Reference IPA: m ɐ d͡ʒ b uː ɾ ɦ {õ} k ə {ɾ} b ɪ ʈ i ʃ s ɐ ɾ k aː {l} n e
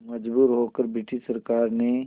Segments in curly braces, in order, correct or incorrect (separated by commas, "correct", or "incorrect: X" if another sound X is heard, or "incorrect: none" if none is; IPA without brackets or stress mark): incorrect: o, correct, incorrect: ɾ